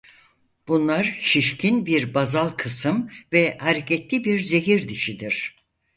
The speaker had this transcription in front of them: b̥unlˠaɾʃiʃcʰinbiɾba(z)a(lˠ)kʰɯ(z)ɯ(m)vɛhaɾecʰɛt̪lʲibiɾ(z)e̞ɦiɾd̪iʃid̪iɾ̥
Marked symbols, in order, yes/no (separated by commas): yes, yes, no, yes, yes